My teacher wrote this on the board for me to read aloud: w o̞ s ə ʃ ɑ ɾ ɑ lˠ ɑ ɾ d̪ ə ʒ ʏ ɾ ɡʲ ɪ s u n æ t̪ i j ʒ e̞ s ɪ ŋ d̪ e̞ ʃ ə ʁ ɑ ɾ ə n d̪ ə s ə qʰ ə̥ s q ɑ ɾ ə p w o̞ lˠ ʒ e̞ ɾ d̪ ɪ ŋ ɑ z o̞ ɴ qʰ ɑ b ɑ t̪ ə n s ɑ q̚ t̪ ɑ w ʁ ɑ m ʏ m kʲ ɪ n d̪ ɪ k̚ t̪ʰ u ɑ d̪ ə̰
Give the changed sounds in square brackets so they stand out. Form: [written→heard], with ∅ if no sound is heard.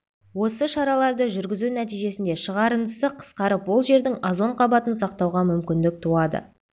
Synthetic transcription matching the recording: w o̞ s ə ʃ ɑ ɾ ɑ lˠ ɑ ɾ d̪ ə ʒ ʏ ɾ ɡʲ ɪ [s→z] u n æ t̪ i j ʒ e̞ s ɪ [ŋ→n] d̪ e̞ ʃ ə ʁ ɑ ɾ ə n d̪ ə s ə qʰ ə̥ s q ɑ ɾ ə p w o̞ lˠ ʒ e̞ ɾ d̪ ɪ ŋ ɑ z o̞ ɴ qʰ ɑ b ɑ t̪ ə n s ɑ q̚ t̪ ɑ w ʁ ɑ m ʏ m kʲ ɪ n d̪ ɪ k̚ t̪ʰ u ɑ d̪ ə̰